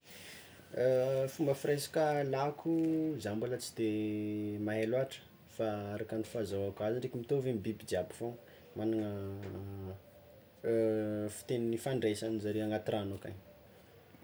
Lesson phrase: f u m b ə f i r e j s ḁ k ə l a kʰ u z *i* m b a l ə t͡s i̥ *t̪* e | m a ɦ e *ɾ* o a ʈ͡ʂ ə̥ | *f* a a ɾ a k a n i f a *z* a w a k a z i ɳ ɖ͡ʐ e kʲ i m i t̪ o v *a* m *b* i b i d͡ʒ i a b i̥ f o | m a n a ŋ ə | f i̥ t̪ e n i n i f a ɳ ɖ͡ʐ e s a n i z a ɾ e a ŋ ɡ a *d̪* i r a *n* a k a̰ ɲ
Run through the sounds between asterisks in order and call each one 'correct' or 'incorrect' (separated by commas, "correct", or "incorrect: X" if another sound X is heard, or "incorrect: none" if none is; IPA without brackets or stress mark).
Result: incorrect: a, incorrect: d̪, incorrect: l, correct, correct, incorrect: e, correct, incorrect: t̪, correct